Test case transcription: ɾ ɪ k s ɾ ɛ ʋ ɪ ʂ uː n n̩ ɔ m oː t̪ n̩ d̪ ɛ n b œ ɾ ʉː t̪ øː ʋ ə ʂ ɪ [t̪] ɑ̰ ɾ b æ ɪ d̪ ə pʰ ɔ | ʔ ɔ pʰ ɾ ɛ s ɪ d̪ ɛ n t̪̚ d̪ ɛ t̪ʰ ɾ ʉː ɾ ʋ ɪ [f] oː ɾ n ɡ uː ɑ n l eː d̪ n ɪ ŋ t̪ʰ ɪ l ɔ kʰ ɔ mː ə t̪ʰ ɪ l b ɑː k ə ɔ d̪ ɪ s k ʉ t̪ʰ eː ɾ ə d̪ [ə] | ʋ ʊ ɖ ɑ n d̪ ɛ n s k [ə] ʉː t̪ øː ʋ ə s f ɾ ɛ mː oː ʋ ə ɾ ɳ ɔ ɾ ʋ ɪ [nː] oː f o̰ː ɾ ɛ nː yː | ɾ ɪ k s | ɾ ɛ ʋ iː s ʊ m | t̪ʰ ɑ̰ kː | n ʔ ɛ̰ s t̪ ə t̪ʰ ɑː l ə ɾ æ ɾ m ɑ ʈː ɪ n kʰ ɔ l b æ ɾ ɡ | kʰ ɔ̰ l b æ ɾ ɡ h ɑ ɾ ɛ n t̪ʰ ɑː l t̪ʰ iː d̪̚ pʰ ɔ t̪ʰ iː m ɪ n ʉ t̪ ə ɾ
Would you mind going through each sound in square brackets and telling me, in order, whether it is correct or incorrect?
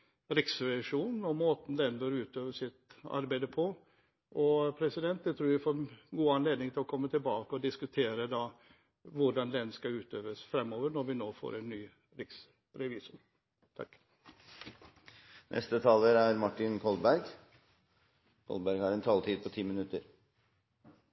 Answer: correct, correct, incorrect: ɑ, incorrect: ɑ, incorrect: n

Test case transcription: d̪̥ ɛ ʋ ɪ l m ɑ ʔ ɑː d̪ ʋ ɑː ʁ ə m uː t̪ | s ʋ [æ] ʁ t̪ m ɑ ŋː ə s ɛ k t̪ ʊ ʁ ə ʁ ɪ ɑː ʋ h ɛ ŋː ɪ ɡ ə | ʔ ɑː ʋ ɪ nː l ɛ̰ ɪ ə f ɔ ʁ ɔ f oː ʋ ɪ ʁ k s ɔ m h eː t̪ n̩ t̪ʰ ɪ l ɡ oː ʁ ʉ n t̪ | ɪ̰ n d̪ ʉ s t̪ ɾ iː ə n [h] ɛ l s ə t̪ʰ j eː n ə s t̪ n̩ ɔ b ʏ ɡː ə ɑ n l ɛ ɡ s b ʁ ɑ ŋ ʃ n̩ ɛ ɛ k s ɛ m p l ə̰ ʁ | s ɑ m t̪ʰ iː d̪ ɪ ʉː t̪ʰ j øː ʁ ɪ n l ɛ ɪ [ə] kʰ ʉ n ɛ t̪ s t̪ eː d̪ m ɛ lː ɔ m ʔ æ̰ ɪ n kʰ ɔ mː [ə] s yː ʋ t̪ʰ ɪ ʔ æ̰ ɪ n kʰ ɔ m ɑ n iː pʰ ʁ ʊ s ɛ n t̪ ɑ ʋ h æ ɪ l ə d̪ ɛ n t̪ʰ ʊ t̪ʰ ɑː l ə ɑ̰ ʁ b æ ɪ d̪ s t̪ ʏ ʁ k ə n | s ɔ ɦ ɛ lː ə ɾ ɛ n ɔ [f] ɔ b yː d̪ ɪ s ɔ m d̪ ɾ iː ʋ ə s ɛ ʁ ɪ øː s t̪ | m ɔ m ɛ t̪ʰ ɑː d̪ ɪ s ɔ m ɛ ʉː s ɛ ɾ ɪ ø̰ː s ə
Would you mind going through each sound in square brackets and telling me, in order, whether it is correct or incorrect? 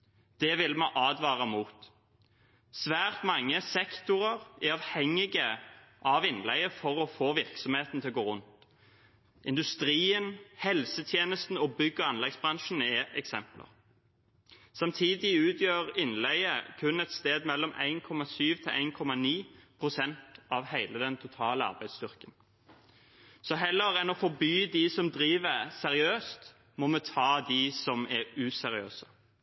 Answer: incorrect: æː, correct, correct, incorrect: ɑ, correct

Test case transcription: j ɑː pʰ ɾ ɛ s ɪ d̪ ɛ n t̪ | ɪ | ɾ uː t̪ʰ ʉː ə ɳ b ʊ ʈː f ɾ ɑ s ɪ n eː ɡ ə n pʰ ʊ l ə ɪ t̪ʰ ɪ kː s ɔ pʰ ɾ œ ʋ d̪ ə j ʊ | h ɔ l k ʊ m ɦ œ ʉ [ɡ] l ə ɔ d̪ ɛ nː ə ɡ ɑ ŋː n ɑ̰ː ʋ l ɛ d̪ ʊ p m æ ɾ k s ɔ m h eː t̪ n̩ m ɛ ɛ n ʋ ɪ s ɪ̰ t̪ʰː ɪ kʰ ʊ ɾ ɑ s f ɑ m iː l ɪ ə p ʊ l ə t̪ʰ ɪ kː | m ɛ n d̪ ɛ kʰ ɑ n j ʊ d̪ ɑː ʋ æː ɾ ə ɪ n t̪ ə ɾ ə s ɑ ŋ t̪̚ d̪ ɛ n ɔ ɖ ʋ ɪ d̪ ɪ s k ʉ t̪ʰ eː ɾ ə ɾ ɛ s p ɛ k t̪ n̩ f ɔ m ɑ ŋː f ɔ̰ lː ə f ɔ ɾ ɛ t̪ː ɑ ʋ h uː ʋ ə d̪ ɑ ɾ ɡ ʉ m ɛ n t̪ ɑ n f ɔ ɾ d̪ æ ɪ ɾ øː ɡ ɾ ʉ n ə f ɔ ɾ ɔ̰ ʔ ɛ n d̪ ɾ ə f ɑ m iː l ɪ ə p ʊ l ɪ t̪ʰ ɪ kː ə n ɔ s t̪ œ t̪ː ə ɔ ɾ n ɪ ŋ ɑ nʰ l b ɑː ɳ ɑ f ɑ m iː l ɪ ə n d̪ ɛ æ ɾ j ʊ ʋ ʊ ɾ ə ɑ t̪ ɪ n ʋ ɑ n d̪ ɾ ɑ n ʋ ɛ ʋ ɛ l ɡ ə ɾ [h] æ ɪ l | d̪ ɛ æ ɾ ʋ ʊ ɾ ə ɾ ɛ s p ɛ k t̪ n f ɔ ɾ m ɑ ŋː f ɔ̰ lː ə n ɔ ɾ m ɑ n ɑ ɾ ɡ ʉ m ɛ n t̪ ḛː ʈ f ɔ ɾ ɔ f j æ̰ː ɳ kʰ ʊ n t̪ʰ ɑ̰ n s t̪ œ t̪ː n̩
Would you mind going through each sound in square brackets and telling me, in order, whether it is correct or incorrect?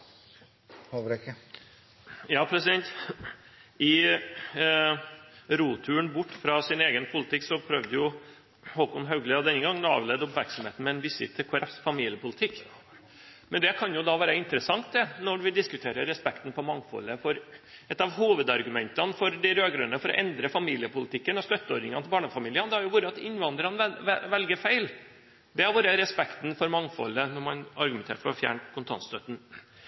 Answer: correct, incorrect: f

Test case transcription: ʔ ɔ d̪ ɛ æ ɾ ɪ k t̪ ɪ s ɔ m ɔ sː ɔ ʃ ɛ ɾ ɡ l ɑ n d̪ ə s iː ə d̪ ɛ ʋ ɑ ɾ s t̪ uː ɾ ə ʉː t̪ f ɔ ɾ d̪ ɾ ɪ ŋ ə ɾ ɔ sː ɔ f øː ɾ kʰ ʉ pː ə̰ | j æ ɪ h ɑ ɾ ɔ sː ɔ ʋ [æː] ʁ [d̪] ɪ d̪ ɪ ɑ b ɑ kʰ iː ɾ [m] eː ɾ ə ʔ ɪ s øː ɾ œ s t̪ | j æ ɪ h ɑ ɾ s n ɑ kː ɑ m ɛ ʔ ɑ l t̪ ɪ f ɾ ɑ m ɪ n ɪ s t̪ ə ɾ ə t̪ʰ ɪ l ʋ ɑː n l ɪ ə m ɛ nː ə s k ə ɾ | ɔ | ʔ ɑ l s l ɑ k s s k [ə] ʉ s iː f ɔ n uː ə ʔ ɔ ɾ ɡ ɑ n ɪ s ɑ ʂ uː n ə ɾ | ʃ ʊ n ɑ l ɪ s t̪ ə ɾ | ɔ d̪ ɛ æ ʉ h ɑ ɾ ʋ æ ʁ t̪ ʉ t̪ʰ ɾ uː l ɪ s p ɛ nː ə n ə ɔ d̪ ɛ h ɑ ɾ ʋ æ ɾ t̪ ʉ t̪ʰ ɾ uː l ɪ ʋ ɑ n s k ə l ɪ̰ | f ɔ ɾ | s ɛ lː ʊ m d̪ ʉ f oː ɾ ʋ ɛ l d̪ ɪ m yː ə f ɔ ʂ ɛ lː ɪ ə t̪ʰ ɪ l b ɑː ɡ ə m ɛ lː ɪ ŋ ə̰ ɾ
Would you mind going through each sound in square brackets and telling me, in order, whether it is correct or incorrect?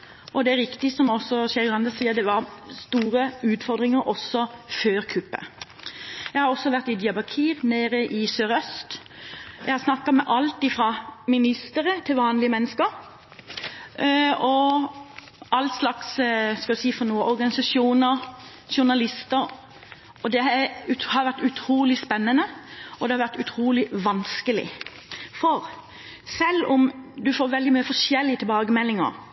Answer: incorrect: æ, incorrect: t̪, incorrect: n, incorrect: ɑ

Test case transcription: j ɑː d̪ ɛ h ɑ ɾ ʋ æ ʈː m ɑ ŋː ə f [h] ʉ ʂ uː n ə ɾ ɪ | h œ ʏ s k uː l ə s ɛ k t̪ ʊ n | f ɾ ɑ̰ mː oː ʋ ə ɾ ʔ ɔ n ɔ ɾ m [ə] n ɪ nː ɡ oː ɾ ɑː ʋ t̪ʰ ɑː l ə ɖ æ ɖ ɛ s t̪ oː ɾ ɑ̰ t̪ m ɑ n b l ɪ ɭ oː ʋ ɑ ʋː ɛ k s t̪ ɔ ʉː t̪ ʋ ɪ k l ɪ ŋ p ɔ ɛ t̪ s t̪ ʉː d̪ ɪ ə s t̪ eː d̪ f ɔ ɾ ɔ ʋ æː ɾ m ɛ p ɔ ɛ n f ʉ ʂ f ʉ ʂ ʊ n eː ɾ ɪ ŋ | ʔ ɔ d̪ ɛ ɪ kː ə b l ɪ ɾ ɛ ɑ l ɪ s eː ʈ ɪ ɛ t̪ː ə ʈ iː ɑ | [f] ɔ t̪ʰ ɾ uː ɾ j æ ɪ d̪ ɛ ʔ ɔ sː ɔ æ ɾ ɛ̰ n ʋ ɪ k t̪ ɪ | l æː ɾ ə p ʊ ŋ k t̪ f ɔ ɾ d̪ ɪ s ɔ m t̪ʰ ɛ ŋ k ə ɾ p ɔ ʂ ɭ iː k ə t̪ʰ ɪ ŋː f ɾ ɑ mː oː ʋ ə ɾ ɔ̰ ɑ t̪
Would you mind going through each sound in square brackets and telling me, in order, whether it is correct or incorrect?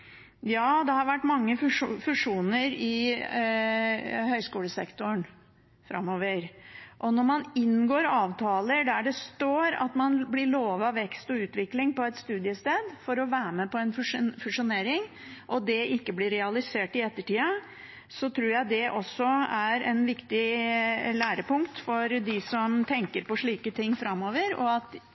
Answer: incorrect: f, incorrect: ɑ, incorrect: s

